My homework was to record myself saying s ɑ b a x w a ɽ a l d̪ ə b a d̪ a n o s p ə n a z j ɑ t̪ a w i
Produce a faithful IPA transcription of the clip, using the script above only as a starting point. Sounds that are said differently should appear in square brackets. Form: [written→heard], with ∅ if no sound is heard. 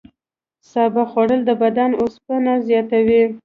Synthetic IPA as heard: s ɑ b a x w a ɽ [a→ə] l d̪ ə b a d̪ a n o s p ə n a z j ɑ t̪ a w i